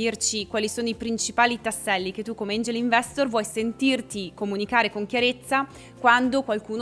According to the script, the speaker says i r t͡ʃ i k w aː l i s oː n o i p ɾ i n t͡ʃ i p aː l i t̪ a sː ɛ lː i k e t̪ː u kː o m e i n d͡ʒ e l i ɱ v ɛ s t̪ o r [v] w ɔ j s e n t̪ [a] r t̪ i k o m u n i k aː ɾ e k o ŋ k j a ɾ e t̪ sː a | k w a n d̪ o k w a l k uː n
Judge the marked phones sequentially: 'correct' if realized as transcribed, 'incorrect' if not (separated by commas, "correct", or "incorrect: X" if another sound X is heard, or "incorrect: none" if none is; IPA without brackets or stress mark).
correct, incorrect: i